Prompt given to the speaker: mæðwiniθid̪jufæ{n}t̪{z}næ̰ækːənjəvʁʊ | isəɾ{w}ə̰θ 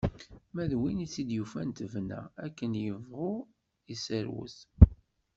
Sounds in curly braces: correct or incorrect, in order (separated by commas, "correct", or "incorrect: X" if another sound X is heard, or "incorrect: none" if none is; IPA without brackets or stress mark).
correct, incorrect: v, correct